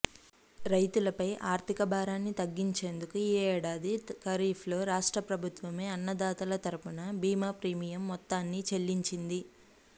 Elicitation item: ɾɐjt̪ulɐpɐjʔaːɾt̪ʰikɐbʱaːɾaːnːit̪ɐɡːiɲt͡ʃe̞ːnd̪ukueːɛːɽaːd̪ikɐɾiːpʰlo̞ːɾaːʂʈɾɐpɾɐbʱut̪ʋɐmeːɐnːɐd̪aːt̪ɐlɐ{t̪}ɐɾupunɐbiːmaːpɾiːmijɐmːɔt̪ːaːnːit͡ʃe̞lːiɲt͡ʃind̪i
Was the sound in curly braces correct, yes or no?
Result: yes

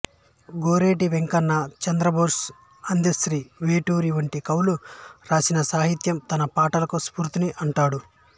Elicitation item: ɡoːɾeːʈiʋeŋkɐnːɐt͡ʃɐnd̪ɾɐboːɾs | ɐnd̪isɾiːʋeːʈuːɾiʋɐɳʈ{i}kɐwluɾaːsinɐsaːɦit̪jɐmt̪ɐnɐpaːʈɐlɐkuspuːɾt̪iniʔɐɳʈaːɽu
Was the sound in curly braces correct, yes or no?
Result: yes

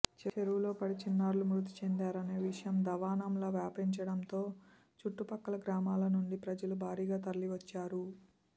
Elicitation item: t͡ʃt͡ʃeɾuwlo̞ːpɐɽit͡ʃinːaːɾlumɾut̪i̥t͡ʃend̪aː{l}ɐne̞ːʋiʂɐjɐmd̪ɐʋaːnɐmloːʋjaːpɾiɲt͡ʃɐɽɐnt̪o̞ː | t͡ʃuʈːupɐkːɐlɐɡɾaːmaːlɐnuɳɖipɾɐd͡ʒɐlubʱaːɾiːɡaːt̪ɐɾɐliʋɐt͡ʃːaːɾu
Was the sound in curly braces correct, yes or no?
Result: no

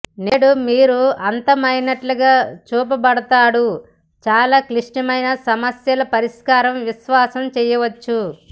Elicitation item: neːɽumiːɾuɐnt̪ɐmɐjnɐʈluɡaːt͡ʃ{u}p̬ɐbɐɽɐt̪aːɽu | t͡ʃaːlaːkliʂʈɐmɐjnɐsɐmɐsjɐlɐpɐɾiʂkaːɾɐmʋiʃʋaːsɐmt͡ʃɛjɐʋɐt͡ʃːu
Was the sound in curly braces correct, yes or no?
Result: no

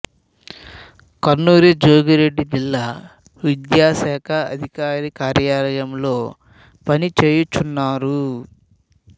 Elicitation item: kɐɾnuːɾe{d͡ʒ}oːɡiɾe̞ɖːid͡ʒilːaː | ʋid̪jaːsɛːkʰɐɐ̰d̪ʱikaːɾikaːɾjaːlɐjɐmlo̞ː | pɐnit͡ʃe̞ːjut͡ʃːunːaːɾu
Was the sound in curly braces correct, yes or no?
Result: yes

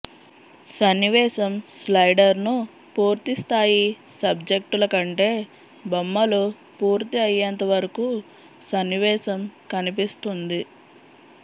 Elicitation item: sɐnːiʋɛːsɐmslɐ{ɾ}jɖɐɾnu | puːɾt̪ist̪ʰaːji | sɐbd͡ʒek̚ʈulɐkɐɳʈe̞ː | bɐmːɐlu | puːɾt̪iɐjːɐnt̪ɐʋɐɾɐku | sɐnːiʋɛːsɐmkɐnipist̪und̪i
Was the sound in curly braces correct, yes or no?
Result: no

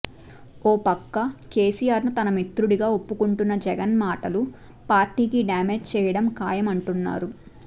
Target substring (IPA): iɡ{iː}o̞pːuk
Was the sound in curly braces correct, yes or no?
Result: no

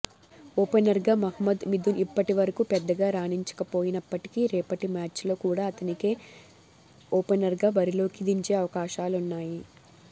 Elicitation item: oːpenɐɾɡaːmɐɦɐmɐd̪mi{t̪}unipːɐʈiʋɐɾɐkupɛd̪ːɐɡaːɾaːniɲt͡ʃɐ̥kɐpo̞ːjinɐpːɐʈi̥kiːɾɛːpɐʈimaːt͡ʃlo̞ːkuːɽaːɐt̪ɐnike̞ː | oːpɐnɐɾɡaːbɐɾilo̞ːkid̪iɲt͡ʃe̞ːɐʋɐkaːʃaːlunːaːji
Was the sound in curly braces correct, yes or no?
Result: no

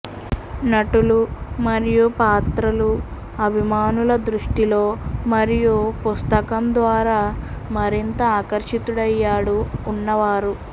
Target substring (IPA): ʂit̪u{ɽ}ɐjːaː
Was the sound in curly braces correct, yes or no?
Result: yes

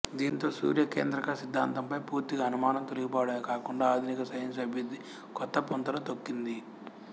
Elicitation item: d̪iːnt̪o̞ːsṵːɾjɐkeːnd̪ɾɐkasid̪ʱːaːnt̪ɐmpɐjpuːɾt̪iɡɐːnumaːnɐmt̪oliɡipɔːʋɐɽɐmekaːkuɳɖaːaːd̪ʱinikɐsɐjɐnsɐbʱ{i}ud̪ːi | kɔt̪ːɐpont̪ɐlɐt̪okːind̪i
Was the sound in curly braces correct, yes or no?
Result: no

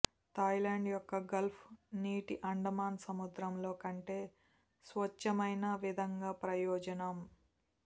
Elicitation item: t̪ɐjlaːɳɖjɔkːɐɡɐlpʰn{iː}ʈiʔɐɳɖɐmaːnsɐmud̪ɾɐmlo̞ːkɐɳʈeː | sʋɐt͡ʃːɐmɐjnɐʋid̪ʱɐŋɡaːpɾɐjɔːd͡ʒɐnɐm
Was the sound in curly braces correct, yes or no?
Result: yes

